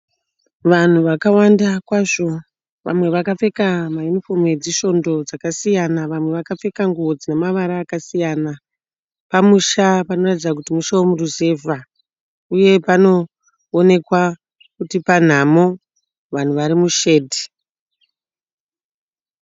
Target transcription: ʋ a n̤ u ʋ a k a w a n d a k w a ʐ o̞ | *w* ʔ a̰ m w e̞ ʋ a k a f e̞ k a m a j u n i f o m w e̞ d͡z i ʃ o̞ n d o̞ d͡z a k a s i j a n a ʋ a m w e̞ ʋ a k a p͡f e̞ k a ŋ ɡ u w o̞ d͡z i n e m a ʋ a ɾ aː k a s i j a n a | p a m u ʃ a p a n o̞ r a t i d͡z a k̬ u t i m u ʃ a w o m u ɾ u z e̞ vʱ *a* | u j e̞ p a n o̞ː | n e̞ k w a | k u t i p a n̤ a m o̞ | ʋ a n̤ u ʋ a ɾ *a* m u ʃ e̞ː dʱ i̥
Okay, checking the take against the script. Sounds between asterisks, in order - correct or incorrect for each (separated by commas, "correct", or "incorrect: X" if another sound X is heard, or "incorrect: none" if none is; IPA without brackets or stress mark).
incorrect: ʋ, correct, incorrect: i